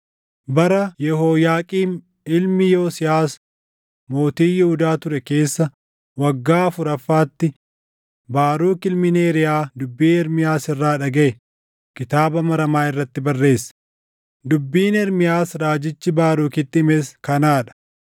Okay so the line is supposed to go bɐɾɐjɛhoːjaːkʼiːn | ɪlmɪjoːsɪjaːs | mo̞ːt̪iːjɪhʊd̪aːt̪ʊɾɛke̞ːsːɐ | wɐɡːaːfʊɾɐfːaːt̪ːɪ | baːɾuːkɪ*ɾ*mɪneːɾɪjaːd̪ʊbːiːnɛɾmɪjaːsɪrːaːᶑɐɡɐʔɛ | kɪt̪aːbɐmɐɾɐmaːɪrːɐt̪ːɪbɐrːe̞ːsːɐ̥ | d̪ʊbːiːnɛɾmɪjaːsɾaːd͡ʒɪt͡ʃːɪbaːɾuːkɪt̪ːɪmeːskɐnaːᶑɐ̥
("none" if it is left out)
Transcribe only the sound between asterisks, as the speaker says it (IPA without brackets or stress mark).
l